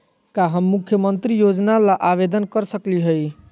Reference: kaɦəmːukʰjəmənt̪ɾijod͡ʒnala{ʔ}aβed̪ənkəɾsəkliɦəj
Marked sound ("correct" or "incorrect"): correct